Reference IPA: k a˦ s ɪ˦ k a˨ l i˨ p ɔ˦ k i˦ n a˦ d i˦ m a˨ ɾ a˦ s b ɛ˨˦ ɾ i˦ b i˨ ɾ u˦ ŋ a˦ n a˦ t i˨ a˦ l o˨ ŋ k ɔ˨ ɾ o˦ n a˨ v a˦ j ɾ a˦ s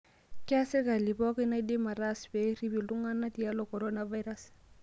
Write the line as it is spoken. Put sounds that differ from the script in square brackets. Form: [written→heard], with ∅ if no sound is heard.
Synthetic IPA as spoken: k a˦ s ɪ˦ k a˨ l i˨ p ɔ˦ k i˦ n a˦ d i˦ m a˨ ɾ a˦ s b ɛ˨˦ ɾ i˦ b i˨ [ɾ→l] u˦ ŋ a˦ n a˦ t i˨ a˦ l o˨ [ŋ→∅] k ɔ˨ ɾ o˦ n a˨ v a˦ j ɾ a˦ s